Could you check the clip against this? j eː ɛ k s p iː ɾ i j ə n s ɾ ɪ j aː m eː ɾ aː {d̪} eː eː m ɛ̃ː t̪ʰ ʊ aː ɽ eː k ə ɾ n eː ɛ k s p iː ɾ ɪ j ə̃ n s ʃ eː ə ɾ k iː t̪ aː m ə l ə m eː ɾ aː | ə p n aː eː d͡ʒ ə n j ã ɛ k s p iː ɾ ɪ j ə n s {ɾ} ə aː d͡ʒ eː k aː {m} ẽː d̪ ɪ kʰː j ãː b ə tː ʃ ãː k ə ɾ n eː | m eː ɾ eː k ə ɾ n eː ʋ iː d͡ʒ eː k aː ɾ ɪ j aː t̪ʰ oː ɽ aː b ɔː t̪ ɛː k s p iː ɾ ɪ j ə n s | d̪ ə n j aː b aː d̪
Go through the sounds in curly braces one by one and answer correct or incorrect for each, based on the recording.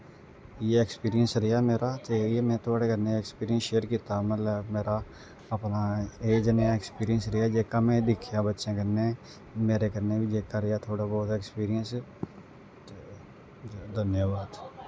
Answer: incorrect, correct, correct

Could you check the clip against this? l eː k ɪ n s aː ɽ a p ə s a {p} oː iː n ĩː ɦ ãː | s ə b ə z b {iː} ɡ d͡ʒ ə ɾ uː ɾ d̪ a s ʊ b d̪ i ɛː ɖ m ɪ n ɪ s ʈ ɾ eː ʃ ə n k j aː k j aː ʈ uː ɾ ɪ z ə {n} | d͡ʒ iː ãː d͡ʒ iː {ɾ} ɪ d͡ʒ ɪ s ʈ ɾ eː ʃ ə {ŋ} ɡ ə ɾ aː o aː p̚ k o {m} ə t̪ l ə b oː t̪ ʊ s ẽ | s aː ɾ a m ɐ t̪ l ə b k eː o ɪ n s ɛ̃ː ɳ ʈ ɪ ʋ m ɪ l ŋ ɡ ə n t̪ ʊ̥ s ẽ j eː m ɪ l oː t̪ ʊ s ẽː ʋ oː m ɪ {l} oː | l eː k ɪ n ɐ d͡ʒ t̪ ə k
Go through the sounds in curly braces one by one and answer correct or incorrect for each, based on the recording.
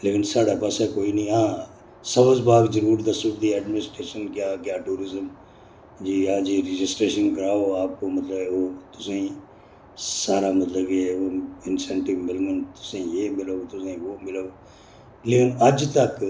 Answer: incorrect, incorrect, incorrect, correct, incorrect, correct, correct

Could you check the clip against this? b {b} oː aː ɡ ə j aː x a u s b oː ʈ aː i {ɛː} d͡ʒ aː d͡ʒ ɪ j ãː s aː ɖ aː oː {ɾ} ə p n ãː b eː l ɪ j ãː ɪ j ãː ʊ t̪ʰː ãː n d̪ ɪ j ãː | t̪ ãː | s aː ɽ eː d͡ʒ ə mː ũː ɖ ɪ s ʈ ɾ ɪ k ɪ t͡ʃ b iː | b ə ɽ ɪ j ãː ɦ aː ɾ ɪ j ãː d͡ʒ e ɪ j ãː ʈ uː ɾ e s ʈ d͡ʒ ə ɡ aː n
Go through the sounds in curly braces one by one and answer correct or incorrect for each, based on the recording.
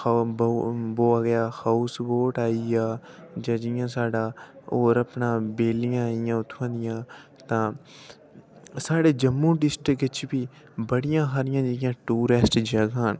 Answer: correct, incorrect, correct

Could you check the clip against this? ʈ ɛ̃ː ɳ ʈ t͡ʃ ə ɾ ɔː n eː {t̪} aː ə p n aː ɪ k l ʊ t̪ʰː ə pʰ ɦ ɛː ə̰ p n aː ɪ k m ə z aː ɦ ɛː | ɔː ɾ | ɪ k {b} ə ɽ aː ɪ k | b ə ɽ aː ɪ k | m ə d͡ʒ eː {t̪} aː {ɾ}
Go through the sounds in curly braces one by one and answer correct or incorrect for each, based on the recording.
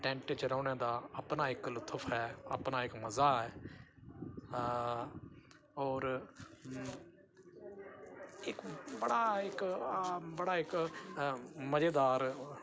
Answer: incorrect, correct, incorrect, correct

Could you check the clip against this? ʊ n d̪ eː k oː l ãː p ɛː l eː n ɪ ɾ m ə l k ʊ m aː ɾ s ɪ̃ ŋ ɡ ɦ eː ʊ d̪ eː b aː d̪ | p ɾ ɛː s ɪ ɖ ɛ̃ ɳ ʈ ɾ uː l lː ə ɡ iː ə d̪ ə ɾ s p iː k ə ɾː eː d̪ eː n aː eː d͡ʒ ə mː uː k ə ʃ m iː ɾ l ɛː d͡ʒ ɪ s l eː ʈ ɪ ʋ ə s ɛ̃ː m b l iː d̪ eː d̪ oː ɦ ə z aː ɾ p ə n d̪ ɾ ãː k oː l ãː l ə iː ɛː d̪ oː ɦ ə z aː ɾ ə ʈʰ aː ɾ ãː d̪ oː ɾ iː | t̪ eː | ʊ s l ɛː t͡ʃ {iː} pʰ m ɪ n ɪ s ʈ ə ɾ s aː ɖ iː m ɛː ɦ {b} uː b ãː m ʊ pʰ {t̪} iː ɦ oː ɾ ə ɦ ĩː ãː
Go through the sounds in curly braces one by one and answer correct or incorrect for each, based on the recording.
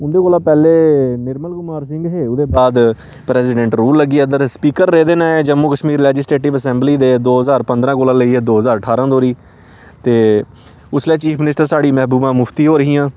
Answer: correct, correct, correct

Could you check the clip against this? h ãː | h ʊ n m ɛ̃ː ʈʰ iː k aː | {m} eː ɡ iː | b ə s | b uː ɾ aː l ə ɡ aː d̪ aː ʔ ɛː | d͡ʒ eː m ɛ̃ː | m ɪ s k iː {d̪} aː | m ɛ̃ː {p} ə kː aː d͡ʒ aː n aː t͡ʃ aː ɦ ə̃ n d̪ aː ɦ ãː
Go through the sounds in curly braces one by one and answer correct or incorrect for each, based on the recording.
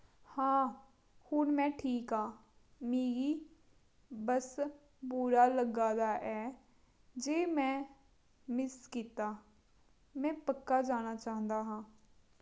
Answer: correct, incorrect, correct

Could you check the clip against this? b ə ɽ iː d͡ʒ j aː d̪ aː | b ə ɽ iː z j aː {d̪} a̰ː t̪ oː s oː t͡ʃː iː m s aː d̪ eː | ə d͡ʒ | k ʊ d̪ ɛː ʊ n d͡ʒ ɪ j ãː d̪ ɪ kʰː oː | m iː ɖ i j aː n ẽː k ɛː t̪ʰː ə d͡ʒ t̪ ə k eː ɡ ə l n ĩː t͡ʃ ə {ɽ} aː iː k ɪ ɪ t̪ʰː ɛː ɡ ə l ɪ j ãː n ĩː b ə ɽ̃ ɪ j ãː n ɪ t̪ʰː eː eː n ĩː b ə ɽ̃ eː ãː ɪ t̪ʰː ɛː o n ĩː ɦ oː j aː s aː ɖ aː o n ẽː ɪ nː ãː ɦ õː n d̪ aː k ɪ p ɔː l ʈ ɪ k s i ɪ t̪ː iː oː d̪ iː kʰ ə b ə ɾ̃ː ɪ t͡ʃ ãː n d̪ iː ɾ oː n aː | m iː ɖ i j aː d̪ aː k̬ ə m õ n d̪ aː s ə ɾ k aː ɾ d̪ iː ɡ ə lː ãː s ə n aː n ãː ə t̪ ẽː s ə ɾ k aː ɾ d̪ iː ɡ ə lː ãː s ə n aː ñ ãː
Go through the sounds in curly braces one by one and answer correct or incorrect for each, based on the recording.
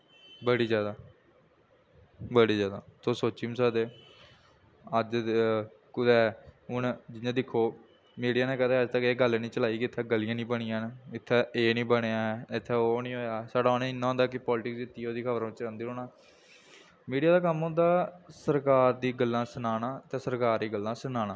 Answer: correct, incorrect

